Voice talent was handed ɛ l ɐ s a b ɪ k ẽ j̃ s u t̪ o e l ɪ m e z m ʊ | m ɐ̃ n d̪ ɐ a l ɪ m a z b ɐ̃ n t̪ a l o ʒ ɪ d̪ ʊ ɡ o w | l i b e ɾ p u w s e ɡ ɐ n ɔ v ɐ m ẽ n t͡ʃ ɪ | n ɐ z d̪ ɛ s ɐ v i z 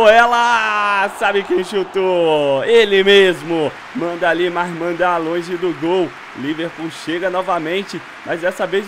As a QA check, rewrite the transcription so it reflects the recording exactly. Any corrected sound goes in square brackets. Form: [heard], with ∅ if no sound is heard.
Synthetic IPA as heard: ɛ l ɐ s a b ɪ k ẽ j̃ [ʃ] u t̪ o e l ɪ m e z m ʊ | m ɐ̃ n d̪ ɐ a l [i] m a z [m] ɐ̃ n [d̪] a l [õ] ʒ ɪ d̪ ʊ ɡ o w | l i [v] e ɾ p u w [ʃ] e ɡ ɐ n ɔ v ɐ m ẽ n t͡ʃ ɪ | [m] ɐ z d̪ ɛ s ɐ v [e] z

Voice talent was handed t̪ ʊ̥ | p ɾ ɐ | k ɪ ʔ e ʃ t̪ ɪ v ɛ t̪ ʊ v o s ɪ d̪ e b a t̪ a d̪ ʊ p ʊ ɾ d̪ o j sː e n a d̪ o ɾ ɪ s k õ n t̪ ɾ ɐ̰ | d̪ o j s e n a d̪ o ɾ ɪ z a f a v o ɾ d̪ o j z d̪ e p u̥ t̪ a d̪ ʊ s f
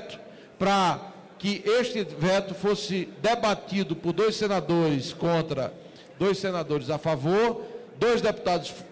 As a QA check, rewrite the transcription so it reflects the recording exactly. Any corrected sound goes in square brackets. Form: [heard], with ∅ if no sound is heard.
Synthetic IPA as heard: t̪ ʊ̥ | p ɾ ɐ | k ɪ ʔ e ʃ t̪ ɪ v ɛ t̪ ʊ [f] o s ɪ d̪ e b a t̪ [i] d̪ ʊ p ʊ ɾ d̪ o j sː e n a d̪ o ɾ ɪ s k õ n t̪ ɾ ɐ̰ | d̪ o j s e n a d̪ o ɾ ɪ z a f a v o ɾ d̪ o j z d̪ e p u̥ t̪ a d̪ ʊ s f

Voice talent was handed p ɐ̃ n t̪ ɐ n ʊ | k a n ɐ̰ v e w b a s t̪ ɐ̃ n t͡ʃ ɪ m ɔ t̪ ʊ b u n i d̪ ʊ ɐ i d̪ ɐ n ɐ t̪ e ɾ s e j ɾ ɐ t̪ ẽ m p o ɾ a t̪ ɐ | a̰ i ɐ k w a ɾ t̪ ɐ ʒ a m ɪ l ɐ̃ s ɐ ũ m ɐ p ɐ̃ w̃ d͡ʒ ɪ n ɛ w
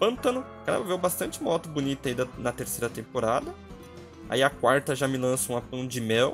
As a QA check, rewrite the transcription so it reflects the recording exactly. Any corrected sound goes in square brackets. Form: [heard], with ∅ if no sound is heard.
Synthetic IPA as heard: p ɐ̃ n t̪ ɐ n ʊ | k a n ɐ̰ v e w b a s t̪ ɐ̃ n t͡ʃ ɪ m ɔ t̪ ʊ b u n i [t̪] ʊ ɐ i d̪ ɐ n ɐ t̪ e ɾ s e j ɾ ɐ t̪ ẽ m p o ɾ a [d̪] ɐ | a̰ i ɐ k w a ɾ t̪ ɐ ʒ a m ɪ l ɐ̃ s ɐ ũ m ɐ p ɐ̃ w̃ d͡ʒ ɪ [m] ɛ w

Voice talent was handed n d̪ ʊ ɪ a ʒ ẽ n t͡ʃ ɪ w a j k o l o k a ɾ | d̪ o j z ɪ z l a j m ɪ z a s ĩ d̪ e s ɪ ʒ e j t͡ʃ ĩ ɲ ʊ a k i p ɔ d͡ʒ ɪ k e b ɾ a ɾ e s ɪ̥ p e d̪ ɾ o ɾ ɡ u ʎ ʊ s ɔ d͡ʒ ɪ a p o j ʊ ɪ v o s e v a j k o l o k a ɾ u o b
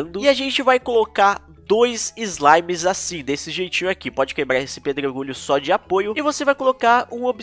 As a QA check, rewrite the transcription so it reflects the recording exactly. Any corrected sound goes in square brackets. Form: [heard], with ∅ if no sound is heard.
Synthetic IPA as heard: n d̪ ʊ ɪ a ʒ ẽ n t͡ʃ ɪ [v] a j k o l o k a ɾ | d̪ o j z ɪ z l a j m ɪ z a s ĩ d̪ e s ɪ ʒ e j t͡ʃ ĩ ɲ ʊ a k i p ɔ d͡ʒ ɪ k e b ɾ a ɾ e s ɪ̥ p e d̪ ɾ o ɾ ɡ u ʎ ʊ s ɔ d͡ʒ ɪ a p o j ʊ ɪ v o s e v a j k o l o k a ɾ [ũ] o b

